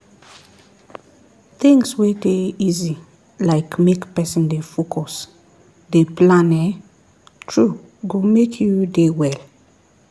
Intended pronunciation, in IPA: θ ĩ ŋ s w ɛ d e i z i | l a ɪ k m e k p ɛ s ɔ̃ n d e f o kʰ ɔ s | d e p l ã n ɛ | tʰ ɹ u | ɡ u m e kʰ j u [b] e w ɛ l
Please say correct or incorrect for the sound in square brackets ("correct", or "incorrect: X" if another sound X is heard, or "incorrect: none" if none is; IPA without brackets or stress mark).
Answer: incorrect: d